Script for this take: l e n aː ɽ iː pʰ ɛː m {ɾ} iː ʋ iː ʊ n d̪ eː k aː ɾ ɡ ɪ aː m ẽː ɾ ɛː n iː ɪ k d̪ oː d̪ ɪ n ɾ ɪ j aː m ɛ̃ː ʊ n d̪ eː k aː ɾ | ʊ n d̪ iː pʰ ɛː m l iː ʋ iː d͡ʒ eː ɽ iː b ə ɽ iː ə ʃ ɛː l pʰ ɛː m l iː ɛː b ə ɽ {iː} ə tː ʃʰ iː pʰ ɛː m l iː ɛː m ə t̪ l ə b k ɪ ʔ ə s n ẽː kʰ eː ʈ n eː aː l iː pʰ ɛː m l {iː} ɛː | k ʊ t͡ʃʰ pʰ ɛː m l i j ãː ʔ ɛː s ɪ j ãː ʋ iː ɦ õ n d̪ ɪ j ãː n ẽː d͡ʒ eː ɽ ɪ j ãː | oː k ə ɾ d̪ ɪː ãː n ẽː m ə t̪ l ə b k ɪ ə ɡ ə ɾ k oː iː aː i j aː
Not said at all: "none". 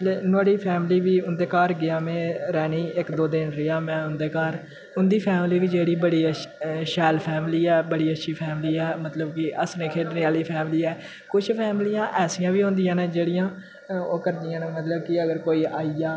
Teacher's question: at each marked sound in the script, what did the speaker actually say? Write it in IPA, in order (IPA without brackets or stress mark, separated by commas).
l, iː, iː